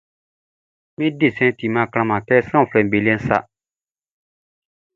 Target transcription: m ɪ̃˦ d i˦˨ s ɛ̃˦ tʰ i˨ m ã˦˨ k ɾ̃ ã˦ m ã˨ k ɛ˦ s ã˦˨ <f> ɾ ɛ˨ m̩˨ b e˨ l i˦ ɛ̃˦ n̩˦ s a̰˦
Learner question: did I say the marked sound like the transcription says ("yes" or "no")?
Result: yes